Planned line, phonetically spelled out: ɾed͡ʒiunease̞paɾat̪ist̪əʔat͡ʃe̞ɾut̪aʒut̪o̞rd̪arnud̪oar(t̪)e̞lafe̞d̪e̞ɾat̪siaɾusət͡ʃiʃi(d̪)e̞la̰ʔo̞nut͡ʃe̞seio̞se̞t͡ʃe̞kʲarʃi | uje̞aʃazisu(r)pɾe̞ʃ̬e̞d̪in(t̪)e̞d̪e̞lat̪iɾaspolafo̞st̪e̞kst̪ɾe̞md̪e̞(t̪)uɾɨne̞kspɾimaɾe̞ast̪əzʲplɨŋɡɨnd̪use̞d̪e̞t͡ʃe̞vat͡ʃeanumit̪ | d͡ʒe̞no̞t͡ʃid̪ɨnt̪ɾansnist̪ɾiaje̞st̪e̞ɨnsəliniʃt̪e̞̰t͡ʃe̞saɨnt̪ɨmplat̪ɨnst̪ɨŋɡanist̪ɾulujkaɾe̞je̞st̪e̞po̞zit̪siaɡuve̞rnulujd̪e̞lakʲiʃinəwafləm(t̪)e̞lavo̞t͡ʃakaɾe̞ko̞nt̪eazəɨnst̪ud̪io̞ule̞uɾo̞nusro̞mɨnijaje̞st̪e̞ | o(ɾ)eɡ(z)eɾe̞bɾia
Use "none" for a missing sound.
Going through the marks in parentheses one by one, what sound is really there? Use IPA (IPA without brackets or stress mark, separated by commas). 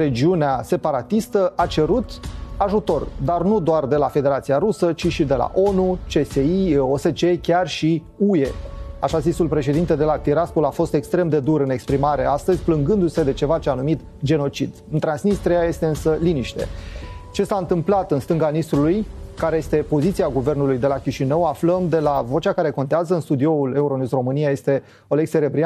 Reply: d̪, d̪, l, t̪, d̪, d̪, l, s